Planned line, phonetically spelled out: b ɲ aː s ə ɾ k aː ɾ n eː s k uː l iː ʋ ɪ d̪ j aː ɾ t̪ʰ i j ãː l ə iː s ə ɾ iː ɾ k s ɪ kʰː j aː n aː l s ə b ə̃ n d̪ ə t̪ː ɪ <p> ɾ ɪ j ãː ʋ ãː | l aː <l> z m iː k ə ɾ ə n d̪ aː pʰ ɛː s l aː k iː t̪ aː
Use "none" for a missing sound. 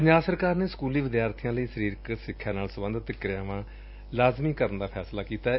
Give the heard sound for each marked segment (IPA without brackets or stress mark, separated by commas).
k, none